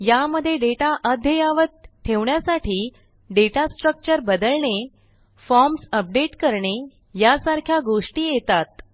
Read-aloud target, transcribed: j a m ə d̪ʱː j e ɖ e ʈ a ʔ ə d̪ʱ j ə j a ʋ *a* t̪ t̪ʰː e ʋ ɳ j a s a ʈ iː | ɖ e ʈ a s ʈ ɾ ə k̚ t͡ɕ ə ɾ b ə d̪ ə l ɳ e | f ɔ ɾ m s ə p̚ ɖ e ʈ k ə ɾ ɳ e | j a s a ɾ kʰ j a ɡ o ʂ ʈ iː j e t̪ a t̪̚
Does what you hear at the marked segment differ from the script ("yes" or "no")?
yes